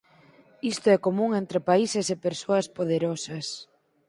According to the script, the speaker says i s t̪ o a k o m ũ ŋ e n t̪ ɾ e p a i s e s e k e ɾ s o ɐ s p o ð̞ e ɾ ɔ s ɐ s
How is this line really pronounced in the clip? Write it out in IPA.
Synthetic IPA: i s t̪ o ɛ k o m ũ ŋ e n t̪ ɾ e p a i s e s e p e ɾ s o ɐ s p o ð̞ e ɾ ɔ s ɐ s